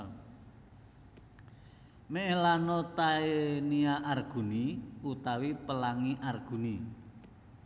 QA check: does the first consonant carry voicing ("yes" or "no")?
yes